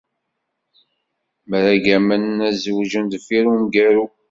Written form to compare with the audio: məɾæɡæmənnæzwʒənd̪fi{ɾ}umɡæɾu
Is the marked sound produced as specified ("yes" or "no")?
yes